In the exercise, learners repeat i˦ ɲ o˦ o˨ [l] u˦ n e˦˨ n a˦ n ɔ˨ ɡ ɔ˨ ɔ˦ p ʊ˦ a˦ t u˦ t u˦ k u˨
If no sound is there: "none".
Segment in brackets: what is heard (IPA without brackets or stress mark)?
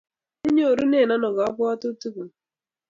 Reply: ɾ